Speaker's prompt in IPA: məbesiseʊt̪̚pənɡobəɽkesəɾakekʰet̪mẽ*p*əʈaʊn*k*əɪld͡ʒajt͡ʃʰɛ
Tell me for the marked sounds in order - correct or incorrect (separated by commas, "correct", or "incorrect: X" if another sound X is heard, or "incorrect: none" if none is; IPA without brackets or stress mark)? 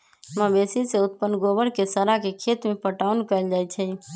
correct, correct